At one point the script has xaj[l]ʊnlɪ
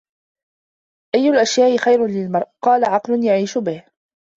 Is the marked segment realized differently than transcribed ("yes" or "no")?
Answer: yes